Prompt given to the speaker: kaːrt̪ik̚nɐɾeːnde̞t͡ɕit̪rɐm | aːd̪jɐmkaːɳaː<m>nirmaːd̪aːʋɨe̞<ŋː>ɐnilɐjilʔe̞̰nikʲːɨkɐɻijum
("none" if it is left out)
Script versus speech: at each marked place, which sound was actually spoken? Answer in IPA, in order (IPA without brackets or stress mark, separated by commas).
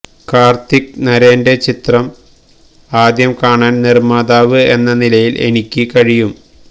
n, nː